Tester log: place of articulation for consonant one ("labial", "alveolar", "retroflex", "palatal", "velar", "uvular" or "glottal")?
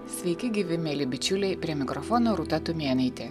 alveolar